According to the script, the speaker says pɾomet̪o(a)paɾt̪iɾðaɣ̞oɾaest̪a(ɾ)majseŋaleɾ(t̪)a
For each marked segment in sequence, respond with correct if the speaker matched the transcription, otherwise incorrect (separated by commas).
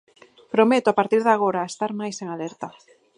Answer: correct, correct, correct